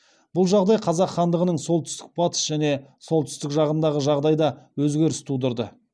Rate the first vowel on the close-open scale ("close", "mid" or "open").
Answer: close